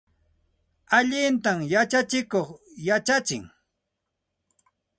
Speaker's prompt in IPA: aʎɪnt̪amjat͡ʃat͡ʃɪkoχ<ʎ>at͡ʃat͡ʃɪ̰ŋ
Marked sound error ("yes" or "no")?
yes